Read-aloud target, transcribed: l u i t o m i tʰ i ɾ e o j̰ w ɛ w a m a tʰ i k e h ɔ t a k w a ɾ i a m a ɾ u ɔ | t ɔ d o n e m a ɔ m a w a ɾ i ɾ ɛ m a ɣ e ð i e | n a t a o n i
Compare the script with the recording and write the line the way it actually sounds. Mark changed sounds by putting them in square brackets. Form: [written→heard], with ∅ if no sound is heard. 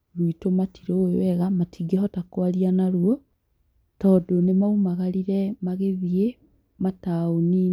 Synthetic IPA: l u i t o m [i→a] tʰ i ɾ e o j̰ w ɛ [w→ɣ] a m a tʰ i [k→ɡ] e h ɔ t a k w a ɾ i a [m→n] a ɾ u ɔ | t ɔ d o n e m a [ɔ→u] m a [w→ɣ] a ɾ i ɾ ɛ m a ɣ e ð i e | [n→m] a t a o n i